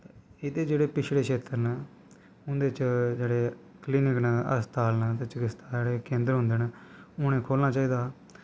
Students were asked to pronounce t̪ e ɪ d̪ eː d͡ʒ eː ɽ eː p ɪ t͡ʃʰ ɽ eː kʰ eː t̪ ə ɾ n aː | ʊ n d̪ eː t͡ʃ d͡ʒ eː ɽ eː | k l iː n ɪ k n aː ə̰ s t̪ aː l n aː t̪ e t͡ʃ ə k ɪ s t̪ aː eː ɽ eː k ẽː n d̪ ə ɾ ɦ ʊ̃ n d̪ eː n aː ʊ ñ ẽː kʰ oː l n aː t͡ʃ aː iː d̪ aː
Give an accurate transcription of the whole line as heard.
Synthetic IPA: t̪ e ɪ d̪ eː d͡ʒ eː ɽ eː p ɪ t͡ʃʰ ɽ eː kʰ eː t̪ ə ɾ n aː | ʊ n d̪ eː t͡ʃ d͡ʒ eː ɽ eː | k l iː n ɪ k n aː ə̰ s t̪ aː l n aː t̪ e t͡ʃ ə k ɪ s t̪ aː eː ɽ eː k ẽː n d̪ ə ɾ ɦ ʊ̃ n d̪ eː n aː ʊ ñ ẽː kʰ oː l n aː t͡ʃ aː iː d̪ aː